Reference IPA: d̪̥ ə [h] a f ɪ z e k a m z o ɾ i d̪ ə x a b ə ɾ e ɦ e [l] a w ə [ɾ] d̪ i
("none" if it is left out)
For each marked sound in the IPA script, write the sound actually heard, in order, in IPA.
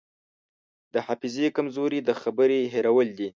h, ɾ, l

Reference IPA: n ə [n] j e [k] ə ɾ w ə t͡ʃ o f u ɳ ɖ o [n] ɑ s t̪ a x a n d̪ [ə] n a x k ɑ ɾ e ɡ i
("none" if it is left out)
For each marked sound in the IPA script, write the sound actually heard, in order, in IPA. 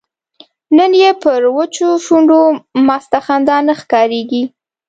n, p, m, ɑ

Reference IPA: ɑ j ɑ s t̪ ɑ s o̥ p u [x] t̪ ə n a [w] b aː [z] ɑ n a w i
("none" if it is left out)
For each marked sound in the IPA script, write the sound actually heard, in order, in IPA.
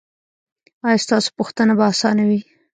x, none, s

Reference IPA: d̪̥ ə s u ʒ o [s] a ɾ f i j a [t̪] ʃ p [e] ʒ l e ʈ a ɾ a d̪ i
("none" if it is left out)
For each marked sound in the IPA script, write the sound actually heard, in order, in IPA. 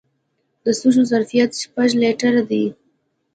z, t̪, a

